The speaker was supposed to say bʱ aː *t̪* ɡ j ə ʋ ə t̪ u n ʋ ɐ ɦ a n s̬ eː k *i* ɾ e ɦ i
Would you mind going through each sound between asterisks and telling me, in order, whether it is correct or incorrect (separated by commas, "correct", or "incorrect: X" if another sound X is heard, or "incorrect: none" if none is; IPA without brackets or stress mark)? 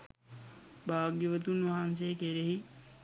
incorrect: none, incorrect: e